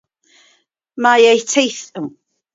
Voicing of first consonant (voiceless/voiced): voiced